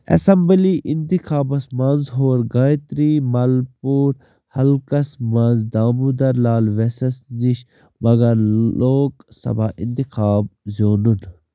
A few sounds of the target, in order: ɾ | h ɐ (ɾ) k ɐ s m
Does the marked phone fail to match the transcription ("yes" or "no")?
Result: yes